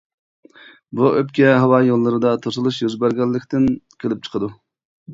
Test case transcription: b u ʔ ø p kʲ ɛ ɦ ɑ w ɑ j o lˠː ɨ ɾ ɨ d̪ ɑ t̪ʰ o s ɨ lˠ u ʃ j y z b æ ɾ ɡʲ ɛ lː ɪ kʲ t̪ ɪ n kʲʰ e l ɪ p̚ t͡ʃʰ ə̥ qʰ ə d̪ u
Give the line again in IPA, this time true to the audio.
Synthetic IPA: b u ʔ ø p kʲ ɛ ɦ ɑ w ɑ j o lˠː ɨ ɾ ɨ d̪ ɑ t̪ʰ o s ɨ lˠ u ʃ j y z b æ ɾ ɡʲ ɛ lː ɪ kʲ t̪ ɪ n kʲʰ e l ɪ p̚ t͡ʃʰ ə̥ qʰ ə d̪ u